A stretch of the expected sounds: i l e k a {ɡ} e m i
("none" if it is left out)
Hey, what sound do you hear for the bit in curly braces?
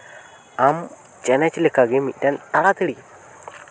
ɡ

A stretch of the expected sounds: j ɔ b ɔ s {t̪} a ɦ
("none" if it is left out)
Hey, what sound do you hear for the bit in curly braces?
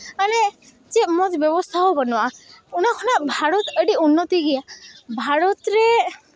t̪ʰ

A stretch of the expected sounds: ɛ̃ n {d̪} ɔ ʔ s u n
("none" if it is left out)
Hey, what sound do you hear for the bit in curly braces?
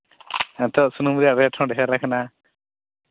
t̪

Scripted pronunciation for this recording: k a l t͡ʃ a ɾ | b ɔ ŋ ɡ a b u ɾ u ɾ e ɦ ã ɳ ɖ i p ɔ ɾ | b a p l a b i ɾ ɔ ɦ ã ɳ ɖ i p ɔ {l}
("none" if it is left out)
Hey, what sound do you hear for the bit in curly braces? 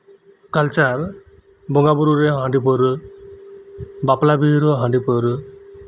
ɾ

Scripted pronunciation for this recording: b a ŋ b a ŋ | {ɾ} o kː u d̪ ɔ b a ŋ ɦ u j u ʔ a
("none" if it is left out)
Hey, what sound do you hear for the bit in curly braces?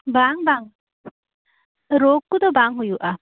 ɾ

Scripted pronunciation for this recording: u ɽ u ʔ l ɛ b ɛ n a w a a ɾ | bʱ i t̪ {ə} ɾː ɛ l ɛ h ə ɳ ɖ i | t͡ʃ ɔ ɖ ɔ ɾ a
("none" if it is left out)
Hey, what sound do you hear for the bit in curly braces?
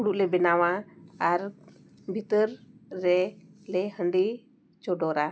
ə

